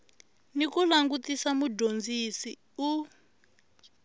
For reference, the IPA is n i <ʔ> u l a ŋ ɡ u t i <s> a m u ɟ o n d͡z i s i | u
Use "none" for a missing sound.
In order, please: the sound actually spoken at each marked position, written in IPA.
k, s

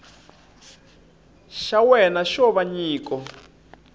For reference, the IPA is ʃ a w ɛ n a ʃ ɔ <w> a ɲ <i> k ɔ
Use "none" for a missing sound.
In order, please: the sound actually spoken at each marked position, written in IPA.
β, iː

